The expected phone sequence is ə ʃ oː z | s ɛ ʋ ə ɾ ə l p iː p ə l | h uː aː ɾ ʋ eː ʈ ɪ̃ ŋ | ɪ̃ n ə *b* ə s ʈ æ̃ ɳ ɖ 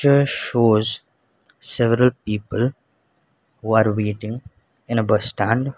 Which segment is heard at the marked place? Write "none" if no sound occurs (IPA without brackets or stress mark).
b